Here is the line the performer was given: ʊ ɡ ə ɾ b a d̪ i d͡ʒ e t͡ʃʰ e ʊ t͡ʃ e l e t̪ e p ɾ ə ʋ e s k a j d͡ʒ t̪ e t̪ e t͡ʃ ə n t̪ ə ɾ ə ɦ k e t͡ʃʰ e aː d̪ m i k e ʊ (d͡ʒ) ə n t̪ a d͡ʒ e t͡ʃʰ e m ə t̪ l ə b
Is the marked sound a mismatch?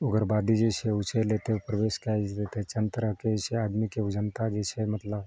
no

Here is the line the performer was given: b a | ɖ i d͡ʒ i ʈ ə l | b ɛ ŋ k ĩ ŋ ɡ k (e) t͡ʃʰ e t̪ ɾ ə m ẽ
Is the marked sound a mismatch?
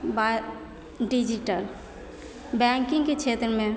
no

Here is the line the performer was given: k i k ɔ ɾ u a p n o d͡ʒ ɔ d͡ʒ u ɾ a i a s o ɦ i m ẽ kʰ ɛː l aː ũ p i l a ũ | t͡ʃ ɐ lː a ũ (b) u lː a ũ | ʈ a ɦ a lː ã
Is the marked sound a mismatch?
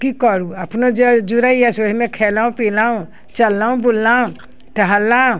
no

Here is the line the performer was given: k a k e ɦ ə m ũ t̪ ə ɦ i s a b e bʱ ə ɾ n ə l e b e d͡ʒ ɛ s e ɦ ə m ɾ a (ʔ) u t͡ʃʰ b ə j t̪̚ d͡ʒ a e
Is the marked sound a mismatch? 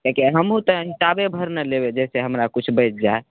yes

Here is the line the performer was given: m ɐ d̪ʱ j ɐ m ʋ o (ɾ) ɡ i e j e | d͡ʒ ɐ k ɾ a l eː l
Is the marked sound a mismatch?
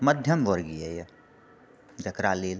no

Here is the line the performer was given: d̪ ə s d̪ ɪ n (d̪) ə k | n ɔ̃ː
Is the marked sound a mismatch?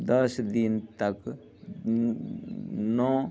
yes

